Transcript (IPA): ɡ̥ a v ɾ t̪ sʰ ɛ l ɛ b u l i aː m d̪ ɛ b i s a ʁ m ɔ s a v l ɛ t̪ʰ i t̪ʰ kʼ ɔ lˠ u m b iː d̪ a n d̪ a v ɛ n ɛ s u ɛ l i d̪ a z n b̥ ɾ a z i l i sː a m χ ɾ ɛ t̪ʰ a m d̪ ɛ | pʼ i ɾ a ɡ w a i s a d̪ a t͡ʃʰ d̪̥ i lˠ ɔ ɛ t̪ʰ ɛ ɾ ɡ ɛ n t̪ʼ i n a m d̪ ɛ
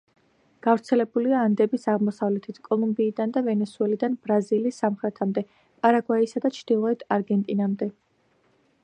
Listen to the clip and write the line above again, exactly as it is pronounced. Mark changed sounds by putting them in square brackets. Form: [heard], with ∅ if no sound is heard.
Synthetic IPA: ɡ̥ a v ɾ t̪ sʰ ɛ l ɛ b u l i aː [n] d̪ ɛ b i s a ʁ m ɔ s a v l ɛ t̪ʰ i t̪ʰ kʼ ɔ lˠ u m b iː d̪ a n d̪ a v ɛ n ɛ s u ɛ l i d̪ a [∅] n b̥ ɾ a z i l i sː a m χ ɾ ɛ t̪ʰ a m d̪ ɛ | pʼ [a] ɾ a ɡ w a i s a d̪ a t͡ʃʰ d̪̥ i lˠ ɔ ɛ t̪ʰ [a] ɾ ɡ ɛ n t̪ʼ i n a m d̪ ɛ